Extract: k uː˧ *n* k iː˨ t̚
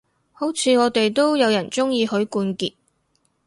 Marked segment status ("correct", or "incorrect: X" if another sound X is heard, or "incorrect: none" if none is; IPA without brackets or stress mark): correct